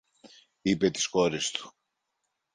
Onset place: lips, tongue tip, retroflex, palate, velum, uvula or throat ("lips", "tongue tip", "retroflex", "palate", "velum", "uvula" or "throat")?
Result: lips